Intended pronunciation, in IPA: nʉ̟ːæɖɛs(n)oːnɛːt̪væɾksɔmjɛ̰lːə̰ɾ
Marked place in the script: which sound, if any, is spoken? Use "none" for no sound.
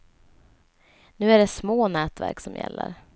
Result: m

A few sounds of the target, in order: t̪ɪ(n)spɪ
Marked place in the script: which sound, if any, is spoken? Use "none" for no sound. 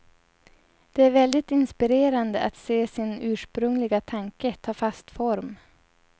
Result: n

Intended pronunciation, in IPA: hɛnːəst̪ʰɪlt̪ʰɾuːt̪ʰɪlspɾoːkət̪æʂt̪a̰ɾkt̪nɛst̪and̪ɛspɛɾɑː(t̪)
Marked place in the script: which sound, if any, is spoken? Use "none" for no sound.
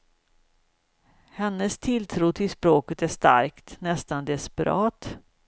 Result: t̪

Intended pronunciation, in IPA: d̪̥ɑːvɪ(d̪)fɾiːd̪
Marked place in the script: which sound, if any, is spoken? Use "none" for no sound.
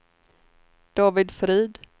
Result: d̪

